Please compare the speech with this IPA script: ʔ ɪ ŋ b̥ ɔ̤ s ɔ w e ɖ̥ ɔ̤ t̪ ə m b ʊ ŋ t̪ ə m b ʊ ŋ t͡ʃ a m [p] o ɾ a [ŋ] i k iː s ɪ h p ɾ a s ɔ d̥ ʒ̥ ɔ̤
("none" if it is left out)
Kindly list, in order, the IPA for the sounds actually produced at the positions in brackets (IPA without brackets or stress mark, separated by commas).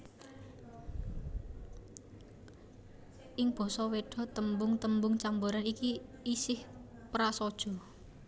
b, n